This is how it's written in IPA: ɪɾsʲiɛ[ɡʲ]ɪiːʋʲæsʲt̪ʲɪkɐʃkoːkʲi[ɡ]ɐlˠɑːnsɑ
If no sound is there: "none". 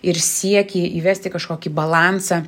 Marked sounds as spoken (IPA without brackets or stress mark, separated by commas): kʲ, b